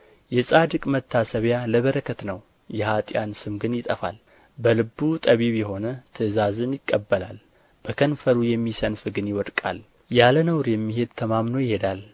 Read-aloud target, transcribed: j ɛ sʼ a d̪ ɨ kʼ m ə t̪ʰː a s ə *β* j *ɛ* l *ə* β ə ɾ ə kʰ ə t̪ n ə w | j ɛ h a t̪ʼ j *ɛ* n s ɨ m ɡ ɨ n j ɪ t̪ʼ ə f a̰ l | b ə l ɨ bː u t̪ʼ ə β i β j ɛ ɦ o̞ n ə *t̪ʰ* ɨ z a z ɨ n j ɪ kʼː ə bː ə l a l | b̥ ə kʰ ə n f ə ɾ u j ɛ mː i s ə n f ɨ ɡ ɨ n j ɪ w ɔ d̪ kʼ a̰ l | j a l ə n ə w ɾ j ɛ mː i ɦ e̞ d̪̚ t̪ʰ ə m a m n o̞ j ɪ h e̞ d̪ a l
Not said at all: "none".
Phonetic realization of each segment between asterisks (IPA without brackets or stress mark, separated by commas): β, a, ə, a, t̪ʰ